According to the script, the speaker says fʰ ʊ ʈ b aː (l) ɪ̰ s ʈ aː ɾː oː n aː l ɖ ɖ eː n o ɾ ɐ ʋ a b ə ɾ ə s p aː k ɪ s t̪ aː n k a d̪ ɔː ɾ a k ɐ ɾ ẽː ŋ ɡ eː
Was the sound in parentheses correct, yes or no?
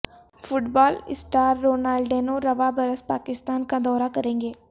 yes